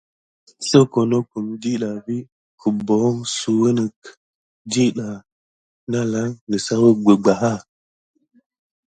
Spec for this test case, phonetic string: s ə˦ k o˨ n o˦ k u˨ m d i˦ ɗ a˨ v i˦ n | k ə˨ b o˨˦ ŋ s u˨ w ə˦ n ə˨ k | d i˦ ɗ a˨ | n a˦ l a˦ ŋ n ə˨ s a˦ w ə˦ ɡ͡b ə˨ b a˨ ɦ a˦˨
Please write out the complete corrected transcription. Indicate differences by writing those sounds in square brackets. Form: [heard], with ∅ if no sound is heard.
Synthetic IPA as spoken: s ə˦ k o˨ n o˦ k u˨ m d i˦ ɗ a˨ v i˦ [∅] | k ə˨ b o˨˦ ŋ s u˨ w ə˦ n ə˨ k | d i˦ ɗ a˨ | n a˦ l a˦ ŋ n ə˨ s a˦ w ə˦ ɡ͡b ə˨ [ɡ͡b] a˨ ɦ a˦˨